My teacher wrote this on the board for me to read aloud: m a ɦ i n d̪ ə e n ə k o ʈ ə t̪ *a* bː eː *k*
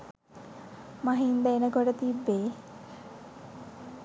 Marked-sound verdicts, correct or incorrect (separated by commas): incorrect, incorrect